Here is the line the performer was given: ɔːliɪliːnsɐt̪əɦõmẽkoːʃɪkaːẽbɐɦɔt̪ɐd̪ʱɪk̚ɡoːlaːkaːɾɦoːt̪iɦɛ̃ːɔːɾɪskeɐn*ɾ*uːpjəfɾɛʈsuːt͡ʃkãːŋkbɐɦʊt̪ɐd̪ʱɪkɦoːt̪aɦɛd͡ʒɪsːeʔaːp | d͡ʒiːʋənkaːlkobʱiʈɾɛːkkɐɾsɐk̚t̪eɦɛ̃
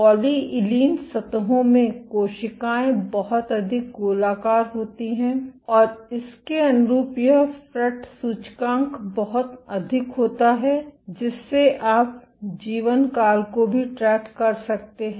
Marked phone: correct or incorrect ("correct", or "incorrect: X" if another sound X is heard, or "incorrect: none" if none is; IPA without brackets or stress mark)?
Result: correct